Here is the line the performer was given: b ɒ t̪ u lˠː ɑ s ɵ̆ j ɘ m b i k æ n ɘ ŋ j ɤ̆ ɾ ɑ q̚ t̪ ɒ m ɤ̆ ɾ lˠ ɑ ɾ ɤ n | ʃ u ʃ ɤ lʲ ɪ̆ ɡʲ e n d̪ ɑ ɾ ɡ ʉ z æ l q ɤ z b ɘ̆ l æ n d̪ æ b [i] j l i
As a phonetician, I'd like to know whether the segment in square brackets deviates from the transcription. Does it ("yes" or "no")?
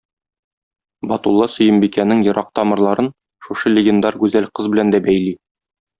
yes